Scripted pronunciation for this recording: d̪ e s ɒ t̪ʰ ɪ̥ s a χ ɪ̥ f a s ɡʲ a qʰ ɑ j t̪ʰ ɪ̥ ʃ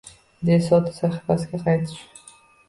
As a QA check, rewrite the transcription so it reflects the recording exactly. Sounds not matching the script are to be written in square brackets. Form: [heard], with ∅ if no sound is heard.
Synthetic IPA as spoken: d̪ e s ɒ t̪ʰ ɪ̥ s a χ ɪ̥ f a s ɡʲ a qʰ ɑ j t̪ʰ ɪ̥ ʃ